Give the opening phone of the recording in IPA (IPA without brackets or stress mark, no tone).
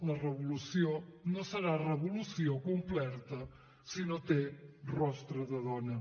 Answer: l